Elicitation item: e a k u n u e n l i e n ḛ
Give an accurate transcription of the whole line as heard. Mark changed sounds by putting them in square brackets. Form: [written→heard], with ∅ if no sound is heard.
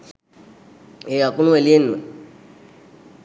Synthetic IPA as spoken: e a k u n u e [n→∅] l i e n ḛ